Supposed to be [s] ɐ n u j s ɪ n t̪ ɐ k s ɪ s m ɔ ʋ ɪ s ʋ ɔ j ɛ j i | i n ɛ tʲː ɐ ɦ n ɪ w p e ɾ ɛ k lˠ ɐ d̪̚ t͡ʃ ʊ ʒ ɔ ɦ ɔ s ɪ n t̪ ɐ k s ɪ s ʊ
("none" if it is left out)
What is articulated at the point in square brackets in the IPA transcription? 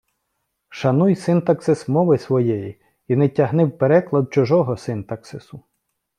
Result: ʃ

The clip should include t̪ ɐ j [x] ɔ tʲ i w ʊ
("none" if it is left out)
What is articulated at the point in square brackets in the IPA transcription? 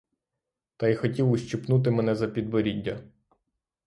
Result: x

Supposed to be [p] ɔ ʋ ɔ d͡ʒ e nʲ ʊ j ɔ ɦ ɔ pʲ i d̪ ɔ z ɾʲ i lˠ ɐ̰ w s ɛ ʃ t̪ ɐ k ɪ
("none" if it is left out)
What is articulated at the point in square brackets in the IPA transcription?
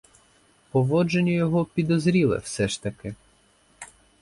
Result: p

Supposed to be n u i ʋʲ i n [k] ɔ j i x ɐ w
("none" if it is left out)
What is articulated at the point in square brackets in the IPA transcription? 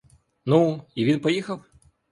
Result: p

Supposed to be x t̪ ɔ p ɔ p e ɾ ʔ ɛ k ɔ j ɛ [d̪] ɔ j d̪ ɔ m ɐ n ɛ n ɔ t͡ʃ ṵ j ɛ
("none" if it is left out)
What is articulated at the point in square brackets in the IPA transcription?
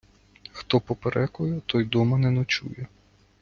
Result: t̪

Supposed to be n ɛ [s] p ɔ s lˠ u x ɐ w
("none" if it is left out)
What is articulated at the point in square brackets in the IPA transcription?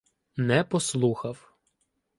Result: none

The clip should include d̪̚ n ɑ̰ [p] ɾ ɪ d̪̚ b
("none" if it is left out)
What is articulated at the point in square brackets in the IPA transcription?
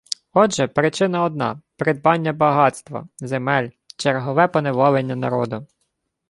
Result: p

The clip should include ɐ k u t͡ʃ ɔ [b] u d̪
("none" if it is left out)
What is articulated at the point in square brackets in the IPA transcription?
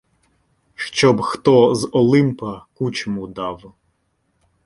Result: m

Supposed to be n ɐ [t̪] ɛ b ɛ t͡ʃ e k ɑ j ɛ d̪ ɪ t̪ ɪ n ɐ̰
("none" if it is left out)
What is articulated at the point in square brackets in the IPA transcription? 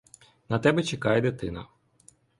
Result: t̪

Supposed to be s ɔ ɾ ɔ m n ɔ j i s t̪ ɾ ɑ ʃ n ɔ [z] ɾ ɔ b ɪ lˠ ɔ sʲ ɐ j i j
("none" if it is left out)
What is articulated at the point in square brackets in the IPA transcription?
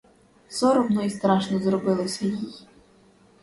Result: z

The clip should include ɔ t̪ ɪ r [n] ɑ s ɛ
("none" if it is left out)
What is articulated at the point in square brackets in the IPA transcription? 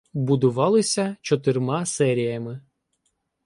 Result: m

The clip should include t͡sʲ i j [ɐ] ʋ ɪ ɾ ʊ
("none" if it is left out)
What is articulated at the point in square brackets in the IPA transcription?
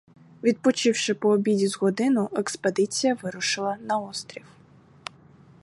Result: ɐ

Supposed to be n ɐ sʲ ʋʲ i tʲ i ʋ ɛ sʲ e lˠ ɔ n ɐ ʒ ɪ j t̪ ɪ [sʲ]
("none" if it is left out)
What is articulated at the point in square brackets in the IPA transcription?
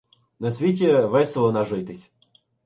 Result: sʲ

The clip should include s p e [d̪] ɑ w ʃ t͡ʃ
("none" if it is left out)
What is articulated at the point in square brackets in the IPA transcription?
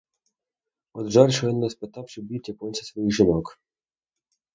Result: t̪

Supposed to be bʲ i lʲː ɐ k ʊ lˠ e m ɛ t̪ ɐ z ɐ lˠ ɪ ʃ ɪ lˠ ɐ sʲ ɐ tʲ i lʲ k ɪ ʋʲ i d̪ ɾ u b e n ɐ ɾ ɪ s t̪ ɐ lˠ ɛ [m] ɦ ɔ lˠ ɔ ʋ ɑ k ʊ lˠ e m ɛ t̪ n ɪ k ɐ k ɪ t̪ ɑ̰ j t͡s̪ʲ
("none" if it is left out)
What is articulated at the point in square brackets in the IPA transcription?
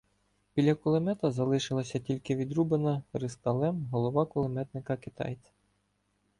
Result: m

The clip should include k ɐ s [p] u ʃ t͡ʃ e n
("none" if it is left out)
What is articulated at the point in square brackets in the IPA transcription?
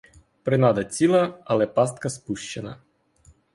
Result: p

